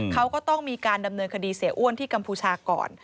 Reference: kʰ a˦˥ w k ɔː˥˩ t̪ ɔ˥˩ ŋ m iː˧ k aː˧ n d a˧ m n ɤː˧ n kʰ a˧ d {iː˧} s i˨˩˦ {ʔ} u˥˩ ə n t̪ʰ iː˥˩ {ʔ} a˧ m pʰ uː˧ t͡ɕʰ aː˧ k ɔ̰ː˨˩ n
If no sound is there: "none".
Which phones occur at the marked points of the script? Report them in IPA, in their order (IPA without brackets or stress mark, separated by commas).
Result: iː˧, ʔ, k